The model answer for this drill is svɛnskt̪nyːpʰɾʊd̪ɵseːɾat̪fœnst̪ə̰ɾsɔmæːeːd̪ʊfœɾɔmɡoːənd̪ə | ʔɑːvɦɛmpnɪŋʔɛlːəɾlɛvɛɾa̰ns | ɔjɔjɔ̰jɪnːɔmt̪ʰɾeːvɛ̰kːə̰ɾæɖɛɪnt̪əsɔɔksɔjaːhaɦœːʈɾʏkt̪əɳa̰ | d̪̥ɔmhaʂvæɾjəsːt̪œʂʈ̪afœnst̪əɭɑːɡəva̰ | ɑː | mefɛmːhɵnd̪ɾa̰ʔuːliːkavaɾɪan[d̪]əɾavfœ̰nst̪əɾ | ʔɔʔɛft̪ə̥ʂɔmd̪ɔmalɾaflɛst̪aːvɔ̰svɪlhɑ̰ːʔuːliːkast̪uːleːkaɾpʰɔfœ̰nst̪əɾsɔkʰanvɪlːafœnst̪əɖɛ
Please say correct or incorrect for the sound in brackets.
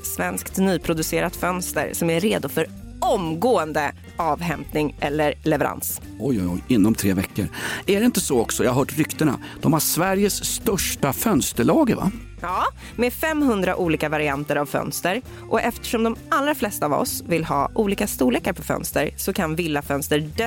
incorrect